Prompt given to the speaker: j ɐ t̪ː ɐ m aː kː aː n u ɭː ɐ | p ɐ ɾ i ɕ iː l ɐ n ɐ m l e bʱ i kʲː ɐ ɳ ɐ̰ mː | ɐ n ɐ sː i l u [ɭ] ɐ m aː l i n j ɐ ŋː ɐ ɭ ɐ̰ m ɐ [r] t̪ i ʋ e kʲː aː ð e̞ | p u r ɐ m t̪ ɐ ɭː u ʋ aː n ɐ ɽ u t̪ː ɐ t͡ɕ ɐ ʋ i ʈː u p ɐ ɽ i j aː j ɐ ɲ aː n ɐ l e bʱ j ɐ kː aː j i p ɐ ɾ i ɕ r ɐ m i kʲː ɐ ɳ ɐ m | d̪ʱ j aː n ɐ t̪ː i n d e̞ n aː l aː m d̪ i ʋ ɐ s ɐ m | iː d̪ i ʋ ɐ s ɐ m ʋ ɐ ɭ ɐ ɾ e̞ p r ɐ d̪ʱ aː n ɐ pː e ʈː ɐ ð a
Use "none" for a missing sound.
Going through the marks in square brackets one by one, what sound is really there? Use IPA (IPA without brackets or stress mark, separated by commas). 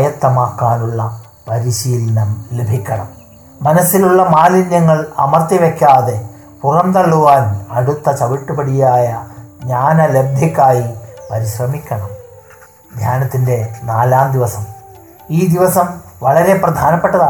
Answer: ɭː, r